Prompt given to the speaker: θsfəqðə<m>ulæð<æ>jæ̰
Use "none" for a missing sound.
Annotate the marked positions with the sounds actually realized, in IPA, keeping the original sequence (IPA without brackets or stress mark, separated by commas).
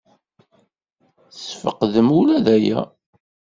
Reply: m, æ